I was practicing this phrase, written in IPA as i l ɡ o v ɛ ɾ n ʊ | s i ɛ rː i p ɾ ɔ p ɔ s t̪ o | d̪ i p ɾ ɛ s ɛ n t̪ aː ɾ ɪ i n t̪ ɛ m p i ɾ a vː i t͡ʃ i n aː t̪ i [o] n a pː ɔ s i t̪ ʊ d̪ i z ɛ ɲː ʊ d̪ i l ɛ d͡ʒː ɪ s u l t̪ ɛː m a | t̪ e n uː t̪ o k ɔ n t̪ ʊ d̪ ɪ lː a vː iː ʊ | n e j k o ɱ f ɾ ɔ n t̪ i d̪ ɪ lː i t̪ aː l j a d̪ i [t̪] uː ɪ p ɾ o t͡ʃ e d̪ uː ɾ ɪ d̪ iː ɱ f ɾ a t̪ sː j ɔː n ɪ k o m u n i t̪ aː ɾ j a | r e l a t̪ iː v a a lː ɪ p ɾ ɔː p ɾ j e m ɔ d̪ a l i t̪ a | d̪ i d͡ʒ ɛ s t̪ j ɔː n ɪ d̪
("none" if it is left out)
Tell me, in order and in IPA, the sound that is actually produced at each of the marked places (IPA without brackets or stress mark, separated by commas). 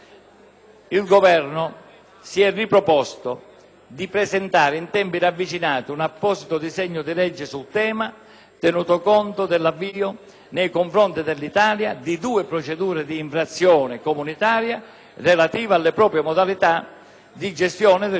u, d̪